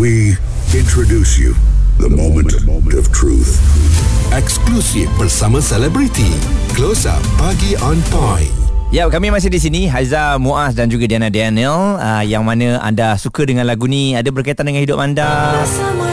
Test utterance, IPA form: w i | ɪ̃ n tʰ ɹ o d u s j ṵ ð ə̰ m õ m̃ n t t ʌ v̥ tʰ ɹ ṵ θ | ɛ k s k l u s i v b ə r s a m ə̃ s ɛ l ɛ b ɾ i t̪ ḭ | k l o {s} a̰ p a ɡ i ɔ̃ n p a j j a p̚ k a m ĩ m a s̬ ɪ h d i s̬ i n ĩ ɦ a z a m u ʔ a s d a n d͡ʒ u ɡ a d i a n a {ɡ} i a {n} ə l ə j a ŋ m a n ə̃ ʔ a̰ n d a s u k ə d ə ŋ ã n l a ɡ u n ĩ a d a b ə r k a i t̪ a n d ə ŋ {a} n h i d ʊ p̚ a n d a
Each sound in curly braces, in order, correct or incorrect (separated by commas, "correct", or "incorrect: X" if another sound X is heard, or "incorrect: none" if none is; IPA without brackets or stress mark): correct, incorrect: d, correct, correct